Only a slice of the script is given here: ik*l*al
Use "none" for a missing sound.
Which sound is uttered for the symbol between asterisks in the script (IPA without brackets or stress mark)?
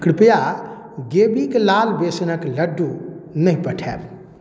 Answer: l